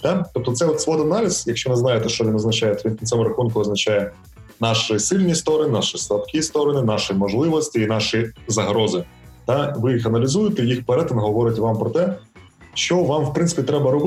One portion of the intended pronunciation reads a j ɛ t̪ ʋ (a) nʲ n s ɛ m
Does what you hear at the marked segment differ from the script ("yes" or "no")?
yes